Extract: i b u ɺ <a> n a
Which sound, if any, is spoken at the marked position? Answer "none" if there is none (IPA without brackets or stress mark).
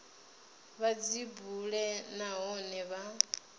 ɛ